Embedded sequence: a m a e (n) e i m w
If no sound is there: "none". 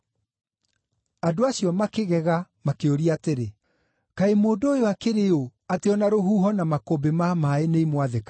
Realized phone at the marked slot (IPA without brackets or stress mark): n